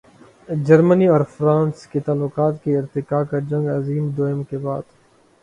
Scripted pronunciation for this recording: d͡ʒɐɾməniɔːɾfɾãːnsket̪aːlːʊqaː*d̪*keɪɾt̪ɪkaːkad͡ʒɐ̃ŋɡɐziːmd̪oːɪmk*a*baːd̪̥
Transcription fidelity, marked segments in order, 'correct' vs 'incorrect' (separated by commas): incorrect, incorrect